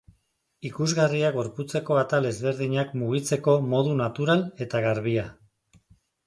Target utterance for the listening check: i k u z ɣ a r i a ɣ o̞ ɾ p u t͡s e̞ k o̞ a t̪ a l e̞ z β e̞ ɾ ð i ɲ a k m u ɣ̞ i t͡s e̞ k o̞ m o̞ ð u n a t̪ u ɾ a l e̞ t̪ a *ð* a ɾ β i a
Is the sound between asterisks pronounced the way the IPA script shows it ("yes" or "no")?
no